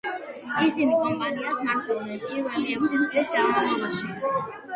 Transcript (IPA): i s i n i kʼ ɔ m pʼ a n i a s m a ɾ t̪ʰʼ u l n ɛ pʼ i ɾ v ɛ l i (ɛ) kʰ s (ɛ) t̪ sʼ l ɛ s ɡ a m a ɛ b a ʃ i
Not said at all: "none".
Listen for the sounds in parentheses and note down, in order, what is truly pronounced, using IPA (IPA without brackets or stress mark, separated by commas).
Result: ɛ, i